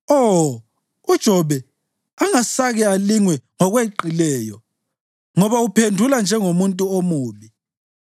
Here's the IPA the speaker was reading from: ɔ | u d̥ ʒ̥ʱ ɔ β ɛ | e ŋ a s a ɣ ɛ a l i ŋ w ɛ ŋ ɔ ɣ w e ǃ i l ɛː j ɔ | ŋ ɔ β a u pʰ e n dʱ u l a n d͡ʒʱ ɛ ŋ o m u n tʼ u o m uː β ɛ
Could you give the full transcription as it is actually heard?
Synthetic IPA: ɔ | u d̥ ʒ̥ʱ ɔ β ɛ | a ŋ a s a ɣ ɛ a l i ŋ w ɛ ŋ ɔ ɣ w e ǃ i l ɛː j ɔ | ŋ ɔ β a u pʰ e n dʱ u l a n d͡ʒʱ ɛ ŋ o m u n tʼ u o m uː β i